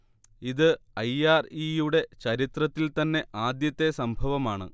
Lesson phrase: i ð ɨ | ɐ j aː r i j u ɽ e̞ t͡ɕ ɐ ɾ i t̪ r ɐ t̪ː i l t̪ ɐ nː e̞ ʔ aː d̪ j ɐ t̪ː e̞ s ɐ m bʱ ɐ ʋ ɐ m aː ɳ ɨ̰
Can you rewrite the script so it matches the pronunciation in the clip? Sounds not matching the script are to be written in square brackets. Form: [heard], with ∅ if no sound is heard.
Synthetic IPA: i ð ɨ | ɐ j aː r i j u ɽ e̞ t͡ɕ ɐ ɾ i t̪ r ɐ t̪ː i l t̪ ɐ nː e̞ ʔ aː d̪ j ɐ t̪ː e̞ s ɐ m bʱ ɐ ʋ ɐ m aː ɳ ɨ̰